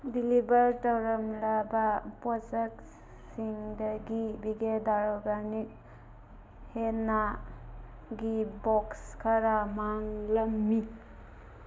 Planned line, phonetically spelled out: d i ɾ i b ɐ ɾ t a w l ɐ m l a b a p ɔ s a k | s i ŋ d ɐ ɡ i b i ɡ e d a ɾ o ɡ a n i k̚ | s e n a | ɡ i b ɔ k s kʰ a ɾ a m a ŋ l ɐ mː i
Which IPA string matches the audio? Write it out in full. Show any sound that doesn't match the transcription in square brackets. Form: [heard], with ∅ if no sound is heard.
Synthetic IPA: d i [l] i b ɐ ɾ t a w [ɾ] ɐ m l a b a p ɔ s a k | s i ŋ d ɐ ɡ i b i ɡ e d a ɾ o ɡ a n i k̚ | [h] e n a | ɡ i b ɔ k s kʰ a ɾ a m a ŋ l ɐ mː i